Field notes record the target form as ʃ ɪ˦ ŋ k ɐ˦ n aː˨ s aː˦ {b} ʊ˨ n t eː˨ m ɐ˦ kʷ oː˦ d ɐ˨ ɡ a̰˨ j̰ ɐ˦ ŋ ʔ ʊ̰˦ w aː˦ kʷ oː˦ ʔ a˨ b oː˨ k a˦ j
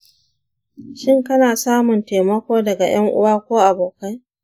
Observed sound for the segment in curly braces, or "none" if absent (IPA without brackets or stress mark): m